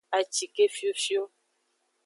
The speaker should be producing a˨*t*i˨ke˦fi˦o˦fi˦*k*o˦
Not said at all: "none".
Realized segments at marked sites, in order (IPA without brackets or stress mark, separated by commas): t͡ʃ, none